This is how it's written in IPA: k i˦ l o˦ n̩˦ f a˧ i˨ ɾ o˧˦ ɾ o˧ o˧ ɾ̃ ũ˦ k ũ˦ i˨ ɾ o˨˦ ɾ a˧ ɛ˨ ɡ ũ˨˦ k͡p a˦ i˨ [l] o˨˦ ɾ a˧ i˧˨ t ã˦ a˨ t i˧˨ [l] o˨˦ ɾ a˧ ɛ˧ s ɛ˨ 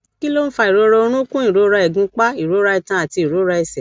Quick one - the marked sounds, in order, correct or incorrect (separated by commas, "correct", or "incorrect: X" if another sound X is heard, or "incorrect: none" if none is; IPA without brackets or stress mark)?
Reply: incorrect: ɾ, incorrect: ɾ